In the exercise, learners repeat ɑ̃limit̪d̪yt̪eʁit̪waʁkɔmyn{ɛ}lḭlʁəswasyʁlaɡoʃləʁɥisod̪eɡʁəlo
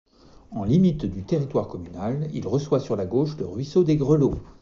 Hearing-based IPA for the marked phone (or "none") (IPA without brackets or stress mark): a